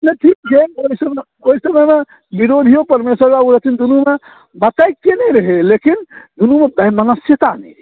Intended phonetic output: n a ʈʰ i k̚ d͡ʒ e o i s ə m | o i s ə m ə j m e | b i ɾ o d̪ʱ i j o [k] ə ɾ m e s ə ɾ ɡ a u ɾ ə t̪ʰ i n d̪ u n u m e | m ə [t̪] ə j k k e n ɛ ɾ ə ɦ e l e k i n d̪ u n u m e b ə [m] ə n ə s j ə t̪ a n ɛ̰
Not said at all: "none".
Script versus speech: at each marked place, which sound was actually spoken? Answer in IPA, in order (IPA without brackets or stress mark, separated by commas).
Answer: p, t̪, m